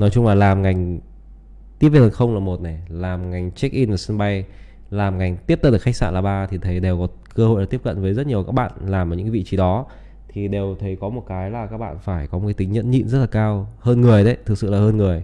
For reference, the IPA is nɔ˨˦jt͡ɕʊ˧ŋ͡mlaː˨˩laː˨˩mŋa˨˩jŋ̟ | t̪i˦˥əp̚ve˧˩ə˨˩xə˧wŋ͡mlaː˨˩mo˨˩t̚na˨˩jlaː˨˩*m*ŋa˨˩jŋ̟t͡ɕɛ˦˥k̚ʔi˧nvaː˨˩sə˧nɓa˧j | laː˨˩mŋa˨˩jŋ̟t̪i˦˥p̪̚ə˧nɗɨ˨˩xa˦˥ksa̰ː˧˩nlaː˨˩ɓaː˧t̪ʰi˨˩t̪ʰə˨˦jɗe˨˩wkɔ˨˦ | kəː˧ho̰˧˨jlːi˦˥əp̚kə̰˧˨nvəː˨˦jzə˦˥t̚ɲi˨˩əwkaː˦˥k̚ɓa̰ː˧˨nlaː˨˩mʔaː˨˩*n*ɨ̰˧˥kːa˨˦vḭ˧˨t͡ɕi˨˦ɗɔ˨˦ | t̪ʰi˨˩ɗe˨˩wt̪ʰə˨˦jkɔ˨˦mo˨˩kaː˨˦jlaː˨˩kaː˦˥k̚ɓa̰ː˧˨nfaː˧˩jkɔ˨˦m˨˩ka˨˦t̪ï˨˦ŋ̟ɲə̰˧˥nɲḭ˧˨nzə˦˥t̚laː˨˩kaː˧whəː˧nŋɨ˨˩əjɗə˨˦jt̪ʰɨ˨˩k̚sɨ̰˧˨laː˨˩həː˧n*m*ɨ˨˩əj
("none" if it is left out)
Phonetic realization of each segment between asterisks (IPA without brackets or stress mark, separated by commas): m, ɲ, ŋ